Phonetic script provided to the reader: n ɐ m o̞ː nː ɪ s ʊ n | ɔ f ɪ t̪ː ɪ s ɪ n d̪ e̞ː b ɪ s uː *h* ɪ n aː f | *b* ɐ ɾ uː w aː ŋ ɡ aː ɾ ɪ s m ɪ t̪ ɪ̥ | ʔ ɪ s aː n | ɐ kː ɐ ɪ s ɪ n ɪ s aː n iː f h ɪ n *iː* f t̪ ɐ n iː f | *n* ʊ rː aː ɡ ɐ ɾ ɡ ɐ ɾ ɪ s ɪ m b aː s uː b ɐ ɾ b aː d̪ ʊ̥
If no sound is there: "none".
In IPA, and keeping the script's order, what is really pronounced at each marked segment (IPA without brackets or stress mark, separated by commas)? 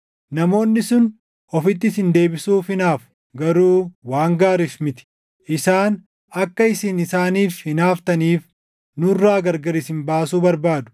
f, ɡ, aː, n